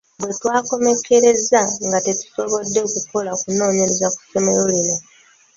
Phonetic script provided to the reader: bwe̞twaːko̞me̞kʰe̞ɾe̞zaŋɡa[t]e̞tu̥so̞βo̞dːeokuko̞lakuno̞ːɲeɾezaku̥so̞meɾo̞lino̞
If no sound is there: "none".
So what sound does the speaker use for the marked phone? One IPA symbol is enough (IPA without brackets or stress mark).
t